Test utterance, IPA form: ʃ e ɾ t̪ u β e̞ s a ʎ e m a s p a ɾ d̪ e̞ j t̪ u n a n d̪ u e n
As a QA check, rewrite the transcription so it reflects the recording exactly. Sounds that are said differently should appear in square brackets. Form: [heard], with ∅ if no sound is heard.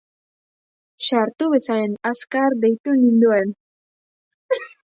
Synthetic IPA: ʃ [a] ɾ t̪ u β e̞ s a [ɾ] e [n] a s [k] a ɾ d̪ e̞ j t̪ u n [i] n d̪ u e n